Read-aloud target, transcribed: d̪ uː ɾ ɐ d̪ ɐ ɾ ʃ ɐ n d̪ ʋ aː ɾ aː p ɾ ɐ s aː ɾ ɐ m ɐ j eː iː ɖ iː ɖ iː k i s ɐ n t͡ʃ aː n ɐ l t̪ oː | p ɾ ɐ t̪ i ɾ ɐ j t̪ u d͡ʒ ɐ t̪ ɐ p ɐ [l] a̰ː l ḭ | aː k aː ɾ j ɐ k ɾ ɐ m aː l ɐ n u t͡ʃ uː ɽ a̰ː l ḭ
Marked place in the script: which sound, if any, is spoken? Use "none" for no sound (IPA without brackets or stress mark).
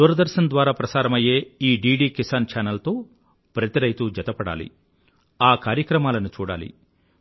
ɽ